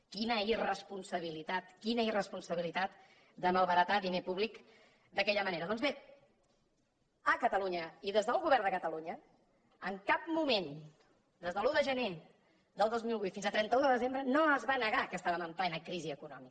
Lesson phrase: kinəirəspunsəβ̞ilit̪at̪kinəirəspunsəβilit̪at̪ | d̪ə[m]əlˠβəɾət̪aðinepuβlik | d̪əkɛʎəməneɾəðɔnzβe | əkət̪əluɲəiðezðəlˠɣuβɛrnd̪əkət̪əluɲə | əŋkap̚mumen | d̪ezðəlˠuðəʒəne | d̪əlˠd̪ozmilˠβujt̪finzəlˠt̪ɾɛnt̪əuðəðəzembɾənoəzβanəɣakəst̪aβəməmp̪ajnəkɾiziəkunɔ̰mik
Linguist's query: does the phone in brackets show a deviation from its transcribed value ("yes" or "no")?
no